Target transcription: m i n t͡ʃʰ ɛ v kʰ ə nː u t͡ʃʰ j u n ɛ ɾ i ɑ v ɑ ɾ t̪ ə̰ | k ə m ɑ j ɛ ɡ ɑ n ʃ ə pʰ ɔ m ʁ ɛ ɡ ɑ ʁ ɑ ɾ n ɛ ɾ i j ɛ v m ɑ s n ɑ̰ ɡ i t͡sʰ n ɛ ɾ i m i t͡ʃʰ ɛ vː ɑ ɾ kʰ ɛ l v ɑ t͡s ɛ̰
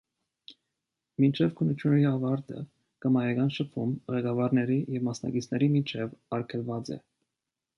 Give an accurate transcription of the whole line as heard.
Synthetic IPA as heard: m i n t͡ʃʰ ɛ v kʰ ə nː u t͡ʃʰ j u n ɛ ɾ i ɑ v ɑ ɾ t̪ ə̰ | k ə m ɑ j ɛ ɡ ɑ n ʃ ə pʰ u m ʁ ɛ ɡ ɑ v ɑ ɾ n ɛ ɾ i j ɛ v m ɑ s n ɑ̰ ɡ i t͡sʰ n ɛ ɾ i m i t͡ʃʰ ɛ v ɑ ɾ kʰ ɛ l v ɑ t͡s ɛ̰